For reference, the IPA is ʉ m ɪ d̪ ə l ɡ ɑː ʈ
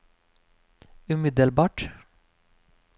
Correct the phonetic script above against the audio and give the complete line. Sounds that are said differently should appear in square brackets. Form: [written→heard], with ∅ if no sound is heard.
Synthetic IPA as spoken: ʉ m ɪ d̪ ə l [ɡ→b] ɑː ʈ

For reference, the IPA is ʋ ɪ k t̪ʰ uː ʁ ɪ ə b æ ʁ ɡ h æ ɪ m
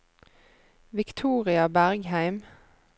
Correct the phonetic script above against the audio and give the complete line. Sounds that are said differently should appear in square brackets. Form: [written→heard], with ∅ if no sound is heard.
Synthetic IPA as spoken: ʋ ɪ k t̪ʰ uː ʁ ɪ [ə→ɑ] b æ ʁ ɡ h æ ɪ m

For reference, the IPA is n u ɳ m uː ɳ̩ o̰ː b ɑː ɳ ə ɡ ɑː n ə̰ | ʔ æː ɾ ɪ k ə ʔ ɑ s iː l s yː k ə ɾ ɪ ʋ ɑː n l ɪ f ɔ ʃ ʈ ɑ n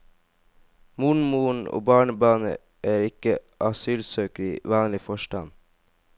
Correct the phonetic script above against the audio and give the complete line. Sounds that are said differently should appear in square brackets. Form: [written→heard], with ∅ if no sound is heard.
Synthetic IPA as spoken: [n→m] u ɳ m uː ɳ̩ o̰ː b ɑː ɳ ə [ɡ→b] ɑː n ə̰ | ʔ æː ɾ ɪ k ə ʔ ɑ s [iː→yː] l s [yː→øː] k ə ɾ ɪ ʋ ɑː n l ɪ f ɔ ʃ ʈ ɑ n

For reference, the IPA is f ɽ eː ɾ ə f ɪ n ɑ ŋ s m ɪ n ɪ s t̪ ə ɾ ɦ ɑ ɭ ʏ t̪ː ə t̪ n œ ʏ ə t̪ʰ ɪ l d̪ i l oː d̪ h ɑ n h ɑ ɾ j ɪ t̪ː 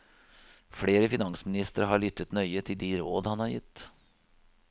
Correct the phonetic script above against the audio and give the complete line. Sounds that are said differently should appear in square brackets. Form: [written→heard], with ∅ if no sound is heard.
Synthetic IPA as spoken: f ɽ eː ɾ ə f ɪ n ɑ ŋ s m ɪ n ɪ s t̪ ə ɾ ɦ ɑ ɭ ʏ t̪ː ə t̪ n œ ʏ ə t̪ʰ ɪ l d̪ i [l→ɾ] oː d̪ h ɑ n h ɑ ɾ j ɪ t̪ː

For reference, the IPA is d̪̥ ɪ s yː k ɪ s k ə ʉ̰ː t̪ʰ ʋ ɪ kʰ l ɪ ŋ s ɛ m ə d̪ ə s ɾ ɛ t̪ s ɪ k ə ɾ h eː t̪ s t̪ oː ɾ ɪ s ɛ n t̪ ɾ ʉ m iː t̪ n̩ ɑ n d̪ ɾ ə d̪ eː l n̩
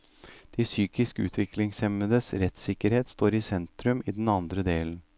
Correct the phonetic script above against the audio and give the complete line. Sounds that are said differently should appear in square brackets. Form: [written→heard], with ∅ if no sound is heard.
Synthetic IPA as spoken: d̪̥ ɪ s yː k ɪ s k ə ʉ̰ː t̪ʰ ʋ ɪ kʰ l ɪ ŋ s ɛ m ə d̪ ə s ɾ ɛ t̪ s ɪ k ə ɾ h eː t̪ s t̪ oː ɾ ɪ s ɛ n t̪ ɾ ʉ m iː [t̪→d̪] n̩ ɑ n d̪ ɾ ə d̪ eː l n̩

